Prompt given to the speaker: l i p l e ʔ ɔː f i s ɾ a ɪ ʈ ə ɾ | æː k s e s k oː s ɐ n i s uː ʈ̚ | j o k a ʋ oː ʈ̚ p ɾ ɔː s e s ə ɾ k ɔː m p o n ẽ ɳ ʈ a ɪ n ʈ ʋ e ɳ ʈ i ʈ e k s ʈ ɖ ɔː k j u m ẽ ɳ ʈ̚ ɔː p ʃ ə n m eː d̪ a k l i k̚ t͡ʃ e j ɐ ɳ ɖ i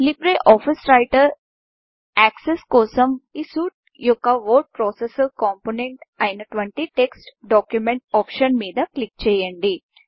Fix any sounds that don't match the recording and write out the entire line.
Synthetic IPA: l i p ɾ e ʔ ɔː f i s ɾ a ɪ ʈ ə ɾ | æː k s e s k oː s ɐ m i s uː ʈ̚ | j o k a ʋ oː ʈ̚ p ɾ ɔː s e s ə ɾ k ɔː m p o n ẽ ɳ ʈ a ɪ n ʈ ʋ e ɳ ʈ i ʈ e k s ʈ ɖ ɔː k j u m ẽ ɳ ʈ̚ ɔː p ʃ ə n m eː d̪ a k l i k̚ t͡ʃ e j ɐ ɳ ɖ i